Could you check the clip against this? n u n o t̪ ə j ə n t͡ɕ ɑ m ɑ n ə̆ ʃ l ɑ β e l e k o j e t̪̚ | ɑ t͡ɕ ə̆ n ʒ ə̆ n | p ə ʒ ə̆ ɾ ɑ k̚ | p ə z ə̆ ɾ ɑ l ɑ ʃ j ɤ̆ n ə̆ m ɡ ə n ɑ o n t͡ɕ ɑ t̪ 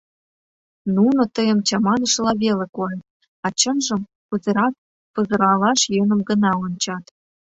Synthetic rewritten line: n u n o t̪ ə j ə m t͡ɕ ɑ m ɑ n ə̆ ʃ l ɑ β e l e k o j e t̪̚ | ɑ t͡ɕ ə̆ n ʒ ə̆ m | p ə z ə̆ ɾ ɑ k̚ | p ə z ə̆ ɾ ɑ l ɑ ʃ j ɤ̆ n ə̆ m ɡ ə n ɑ o n t͡ɕ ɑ t̪